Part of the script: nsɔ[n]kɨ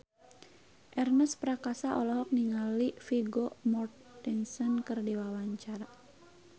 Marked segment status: correct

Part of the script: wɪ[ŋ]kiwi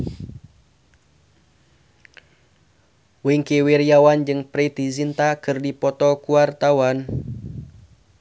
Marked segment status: correct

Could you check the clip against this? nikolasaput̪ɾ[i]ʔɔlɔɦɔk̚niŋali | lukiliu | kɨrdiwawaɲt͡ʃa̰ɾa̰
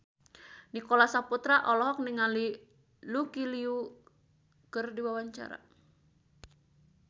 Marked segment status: incorrect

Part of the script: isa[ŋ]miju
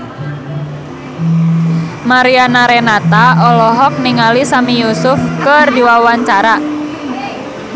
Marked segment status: incorrect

